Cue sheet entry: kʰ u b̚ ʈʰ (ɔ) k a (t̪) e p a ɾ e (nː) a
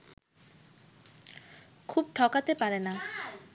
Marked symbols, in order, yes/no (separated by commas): yes, yes, no